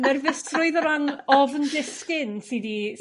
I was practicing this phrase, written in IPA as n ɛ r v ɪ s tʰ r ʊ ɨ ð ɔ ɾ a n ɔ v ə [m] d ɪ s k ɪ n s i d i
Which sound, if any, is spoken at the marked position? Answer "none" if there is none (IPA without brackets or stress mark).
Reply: n